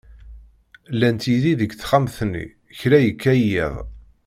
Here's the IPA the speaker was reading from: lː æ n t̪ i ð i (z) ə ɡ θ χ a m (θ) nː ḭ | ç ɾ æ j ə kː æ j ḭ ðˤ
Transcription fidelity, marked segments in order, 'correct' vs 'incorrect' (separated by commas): incorrect, correct